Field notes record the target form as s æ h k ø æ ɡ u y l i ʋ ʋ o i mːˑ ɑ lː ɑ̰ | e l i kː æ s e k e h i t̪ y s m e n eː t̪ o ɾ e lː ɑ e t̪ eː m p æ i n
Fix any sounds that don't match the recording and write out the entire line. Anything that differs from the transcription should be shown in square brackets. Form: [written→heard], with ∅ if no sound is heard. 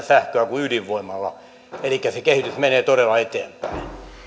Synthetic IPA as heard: s æ h k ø æ [ɡ→k] u y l i ʋ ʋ o i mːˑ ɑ lː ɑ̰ | e l i kː æ s e k e h i t̪ y s m e n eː t̪ o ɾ e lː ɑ e t̪ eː m p æ i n